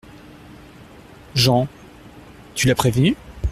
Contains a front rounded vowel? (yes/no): yes